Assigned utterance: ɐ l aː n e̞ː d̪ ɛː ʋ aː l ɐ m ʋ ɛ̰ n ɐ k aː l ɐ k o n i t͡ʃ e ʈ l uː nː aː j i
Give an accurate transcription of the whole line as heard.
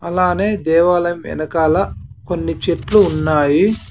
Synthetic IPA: ɐ l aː n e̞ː d̪ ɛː ʋ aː l ɐ m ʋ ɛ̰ n ɐ k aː l ɐ k o nː i t͡ʃ e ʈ l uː nː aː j i